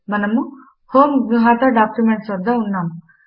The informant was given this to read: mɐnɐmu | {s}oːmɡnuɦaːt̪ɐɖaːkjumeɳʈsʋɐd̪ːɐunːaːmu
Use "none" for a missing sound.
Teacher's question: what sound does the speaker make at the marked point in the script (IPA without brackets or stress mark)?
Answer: h